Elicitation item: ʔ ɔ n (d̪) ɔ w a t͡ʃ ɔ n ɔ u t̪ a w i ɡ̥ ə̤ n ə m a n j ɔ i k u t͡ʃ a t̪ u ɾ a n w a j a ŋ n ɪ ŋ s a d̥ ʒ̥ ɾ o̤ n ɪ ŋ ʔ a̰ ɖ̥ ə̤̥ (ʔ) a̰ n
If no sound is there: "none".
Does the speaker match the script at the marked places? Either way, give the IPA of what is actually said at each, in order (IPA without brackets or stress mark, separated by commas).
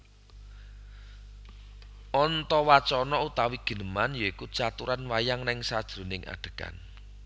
t̪, k